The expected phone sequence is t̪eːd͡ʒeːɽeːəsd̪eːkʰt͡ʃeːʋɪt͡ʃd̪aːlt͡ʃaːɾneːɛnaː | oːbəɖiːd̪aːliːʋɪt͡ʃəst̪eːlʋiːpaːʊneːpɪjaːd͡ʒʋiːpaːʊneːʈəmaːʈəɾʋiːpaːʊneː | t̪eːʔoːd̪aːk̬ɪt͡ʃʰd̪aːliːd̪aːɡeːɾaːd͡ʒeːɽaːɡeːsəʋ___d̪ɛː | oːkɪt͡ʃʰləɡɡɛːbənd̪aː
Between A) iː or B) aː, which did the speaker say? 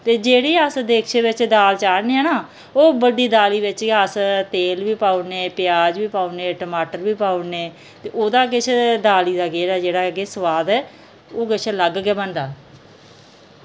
B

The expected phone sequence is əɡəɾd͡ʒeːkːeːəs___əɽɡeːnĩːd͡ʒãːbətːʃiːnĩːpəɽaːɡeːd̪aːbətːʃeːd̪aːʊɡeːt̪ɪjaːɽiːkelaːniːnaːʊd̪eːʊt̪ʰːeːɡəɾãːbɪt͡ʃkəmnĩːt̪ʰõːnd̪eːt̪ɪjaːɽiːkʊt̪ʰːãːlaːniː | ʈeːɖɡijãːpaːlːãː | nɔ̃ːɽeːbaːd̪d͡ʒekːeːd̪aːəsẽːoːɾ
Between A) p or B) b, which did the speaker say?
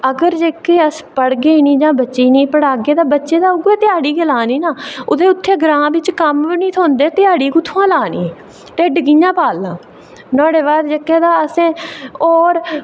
A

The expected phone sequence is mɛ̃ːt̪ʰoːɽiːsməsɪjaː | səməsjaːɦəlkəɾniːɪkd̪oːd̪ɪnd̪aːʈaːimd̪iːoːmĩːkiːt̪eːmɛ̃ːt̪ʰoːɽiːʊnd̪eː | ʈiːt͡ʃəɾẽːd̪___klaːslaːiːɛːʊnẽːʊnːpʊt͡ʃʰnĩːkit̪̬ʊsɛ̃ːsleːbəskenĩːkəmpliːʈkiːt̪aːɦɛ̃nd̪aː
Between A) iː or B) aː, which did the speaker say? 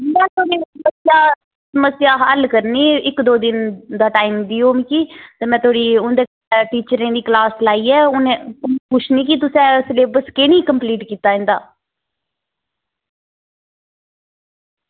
A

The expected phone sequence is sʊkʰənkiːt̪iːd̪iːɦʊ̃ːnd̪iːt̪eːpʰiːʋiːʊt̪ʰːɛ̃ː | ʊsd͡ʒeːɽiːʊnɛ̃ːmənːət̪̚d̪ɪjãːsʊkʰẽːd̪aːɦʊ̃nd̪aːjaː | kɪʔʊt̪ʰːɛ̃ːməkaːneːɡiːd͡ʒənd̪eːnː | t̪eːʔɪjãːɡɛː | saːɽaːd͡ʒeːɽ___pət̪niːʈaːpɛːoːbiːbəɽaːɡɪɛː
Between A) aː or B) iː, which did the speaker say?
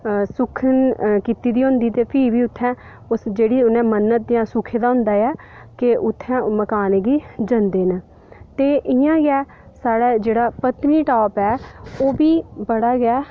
A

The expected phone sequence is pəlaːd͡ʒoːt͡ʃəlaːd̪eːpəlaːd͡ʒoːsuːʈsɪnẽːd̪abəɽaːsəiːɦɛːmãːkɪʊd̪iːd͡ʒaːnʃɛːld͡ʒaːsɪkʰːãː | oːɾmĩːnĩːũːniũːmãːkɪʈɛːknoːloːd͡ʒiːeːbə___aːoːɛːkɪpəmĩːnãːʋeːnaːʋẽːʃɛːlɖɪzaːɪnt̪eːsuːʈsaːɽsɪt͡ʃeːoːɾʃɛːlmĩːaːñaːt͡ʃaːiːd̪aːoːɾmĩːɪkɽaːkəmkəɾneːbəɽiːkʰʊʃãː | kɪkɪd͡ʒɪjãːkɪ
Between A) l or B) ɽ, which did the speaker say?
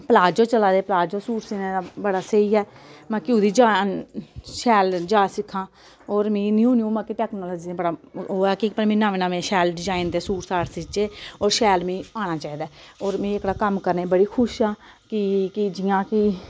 B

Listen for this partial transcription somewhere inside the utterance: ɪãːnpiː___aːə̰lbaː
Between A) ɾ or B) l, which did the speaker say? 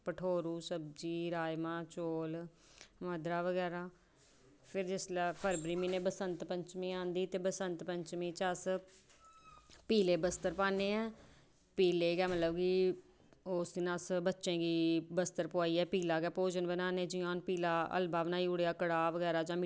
B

